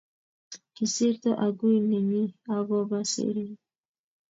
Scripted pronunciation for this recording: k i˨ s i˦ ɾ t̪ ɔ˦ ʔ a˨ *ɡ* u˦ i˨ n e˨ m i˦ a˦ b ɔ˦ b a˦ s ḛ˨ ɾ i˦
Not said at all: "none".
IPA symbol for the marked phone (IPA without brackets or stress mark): ɡ